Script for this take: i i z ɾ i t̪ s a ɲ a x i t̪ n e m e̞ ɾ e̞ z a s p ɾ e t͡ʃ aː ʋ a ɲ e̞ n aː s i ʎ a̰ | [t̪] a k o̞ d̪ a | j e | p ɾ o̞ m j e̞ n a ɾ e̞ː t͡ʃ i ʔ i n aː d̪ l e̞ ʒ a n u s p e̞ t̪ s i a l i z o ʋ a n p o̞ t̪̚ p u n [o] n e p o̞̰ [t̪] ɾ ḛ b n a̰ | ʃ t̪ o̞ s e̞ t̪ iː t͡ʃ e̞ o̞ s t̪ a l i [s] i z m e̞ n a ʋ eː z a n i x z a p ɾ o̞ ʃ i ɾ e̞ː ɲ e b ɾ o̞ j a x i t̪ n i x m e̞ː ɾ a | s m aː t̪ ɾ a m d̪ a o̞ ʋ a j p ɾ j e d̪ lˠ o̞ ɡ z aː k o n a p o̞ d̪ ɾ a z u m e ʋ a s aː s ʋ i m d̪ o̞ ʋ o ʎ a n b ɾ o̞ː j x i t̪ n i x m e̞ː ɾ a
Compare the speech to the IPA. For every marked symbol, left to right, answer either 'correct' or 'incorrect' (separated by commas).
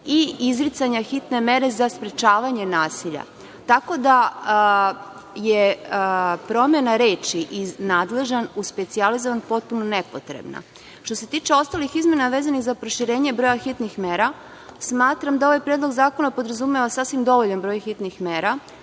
correct, correct, correct, incorrect